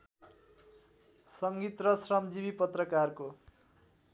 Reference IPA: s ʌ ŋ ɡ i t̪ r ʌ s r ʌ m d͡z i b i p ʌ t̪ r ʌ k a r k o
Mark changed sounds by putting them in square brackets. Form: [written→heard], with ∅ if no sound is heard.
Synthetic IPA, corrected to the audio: s ʌ ŋ ɡ i t̪ r ʌ s r ʌ m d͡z i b i p ʌ t̪ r ʌ k a r k o